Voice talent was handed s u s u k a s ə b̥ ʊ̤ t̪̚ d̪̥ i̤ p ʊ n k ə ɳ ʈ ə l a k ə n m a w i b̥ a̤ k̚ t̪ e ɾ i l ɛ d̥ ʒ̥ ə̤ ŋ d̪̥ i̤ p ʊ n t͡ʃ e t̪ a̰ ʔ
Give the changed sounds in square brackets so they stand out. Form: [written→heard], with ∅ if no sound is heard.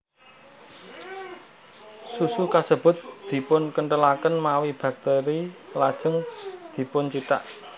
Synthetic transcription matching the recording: s u s u k a s ə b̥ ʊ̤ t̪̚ d̪̥ i̤ p ʊ n k ə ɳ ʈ ə l a k ə n m a w i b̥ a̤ k̚ t̪ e ɾ i l [ɛ→a] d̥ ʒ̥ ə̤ ŋ d̪̥ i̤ p ʊ n t͡ʃ [e→i] t̪ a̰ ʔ